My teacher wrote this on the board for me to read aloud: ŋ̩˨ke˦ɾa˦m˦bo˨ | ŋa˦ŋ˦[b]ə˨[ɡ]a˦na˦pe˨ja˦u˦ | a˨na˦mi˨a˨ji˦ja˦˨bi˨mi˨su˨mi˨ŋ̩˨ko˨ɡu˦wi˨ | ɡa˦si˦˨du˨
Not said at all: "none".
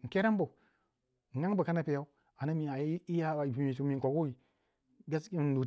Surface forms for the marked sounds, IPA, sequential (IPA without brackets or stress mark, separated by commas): b, k